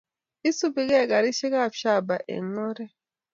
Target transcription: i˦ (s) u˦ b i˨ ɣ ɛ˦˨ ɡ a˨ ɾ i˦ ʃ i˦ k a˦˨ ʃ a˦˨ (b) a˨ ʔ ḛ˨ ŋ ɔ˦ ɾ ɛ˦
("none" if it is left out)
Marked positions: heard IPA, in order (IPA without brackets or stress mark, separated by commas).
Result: s, b